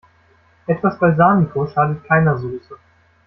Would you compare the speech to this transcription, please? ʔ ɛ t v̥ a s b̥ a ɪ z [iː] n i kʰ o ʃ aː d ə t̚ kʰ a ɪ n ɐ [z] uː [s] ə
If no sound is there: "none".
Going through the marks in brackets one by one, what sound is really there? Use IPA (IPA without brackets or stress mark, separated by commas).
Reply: aː, z, s